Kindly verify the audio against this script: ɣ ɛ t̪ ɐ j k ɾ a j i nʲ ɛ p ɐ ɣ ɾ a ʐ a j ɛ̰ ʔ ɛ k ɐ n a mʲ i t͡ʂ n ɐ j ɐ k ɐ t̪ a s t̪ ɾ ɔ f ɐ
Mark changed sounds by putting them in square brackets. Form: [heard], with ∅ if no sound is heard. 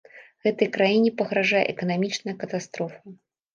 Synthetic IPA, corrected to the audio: ɣ ɛ t̪ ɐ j k ɾ a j i nʲ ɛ p ɐ ɣ ɾ a ʐ a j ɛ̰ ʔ ɛ k ɐ n a mʲ i t͡ʂ n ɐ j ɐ k ɐ t̪ a s t̪ ɾ ɔ f ɐ